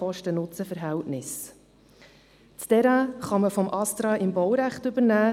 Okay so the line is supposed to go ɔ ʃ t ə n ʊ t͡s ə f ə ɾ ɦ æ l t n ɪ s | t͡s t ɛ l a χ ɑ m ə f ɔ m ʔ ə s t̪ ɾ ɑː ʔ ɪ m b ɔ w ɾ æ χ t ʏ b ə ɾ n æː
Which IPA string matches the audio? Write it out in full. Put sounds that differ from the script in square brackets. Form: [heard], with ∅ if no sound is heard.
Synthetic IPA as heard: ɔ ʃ t ə n ʊ t͡s ə f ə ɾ ɦ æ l t n ɪ s | t͡s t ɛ [ɾ] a χ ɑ m ə f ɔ m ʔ [ɑ] s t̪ ɾ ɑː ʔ ɪ m b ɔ w ɾ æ χ t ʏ b ə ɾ n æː